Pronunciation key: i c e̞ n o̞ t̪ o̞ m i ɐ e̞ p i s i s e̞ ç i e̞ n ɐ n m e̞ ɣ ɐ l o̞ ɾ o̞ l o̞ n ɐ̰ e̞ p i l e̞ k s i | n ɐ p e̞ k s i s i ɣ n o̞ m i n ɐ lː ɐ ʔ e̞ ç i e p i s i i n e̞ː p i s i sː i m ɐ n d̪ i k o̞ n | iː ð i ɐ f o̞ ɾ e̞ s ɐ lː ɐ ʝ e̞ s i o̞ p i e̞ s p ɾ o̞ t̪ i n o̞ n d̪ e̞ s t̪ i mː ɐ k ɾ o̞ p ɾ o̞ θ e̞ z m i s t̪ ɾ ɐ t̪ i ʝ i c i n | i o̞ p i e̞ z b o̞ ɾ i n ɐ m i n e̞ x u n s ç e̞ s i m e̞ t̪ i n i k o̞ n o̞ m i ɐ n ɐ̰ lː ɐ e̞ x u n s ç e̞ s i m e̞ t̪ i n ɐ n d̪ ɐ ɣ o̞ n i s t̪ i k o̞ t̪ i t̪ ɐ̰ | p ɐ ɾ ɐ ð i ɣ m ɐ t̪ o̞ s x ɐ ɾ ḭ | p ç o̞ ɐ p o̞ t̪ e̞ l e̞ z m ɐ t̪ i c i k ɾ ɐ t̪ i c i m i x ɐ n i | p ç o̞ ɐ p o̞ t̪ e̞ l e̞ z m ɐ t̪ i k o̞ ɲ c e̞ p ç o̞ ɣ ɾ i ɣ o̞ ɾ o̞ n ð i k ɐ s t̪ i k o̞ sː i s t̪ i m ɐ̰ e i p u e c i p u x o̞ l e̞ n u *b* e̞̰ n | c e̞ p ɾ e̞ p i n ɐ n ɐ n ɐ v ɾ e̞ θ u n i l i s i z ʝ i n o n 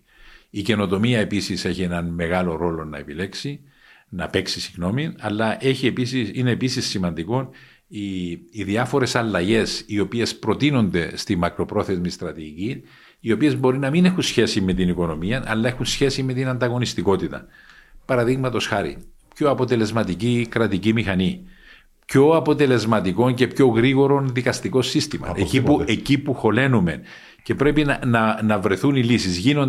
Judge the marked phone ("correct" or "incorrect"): incorrect